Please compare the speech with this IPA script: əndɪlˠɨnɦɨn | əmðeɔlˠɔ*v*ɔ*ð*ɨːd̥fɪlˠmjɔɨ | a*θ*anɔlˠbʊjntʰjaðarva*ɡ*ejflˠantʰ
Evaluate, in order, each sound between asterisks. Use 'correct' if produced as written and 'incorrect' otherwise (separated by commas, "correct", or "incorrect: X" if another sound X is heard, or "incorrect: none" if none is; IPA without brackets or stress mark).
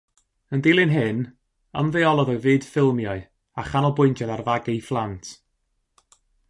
incorrect: ð, incorrect: v, incorrect: χ, correct